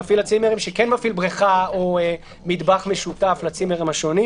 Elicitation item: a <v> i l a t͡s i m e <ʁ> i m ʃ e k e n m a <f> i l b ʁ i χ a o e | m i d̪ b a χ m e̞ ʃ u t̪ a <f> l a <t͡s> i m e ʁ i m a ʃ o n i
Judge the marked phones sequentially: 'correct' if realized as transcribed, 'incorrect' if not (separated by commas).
incorrect, correct, correct, correct, correct